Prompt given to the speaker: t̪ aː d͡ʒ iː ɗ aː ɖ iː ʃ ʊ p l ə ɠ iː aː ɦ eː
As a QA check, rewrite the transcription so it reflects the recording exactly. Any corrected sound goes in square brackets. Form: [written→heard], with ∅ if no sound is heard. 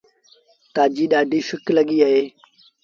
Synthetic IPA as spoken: t̪ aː d͡ʒ iː ɗ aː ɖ iː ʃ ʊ [p→k] l ə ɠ iː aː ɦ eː